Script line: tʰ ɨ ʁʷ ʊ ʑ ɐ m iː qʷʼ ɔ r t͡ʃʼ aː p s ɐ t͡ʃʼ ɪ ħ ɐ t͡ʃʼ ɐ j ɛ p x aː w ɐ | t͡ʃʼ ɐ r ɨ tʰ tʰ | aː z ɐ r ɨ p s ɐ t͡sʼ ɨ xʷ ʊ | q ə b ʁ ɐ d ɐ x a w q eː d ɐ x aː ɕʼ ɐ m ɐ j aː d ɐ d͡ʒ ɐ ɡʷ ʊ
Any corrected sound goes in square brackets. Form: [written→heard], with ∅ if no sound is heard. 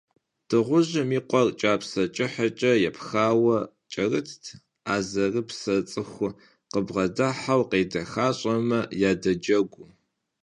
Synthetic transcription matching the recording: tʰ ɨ ʁʷ ʊ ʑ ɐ m iː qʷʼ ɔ r t͡ʃʼ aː p s ɐ t͡ʃʼ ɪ ħ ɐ t͡ʃʼ ɐ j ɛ p x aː w ɐ | t͡ʃʼ ɐ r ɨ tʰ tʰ | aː z ɐ r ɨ p s ɐ t͡sʼ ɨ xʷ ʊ | q ə b ʁ ɐ d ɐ [x→ħ] a w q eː d ɐ x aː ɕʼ ɐ m ɐ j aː d ɐ d͡ʒ ɐ ɡʷ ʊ